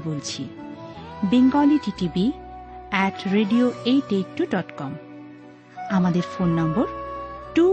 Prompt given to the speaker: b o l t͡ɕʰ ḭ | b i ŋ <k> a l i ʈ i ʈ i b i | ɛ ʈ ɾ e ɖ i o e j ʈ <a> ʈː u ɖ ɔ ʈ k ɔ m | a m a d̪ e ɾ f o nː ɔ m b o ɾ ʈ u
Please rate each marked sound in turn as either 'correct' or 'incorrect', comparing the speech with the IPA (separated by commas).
incorrect, incorrect